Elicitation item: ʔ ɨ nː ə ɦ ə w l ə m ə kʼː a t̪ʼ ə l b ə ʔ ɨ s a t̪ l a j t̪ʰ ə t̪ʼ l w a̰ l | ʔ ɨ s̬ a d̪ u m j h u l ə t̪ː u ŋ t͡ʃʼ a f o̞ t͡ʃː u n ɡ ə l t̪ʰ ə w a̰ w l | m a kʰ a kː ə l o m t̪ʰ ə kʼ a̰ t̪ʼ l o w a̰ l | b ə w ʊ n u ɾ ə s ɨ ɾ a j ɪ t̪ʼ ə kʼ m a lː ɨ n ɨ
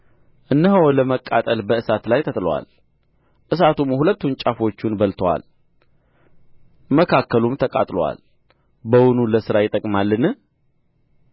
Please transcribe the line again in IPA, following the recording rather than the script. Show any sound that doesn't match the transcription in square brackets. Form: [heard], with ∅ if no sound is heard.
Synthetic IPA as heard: ʔ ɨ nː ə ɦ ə w l ə m ə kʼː a t̪ʼ ə l b ə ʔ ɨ s a t̪ l a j t̪ʰ ə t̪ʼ l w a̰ l | ʔ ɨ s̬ a [t̪] u m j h u l ə t̪ː u [n] t͡ʃʼ a f o̞ t͡ʃː u n [b] ə l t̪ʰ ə w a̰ [∅] l | m [ə] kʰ a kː ə l [u] m t̪ʰ ə kʼ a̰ t̪ʼ l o w a̰ l | b ə w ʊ n u [l] ə s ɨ ɾ a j ɪ t̪ʼ ə kʼ m a lː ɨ n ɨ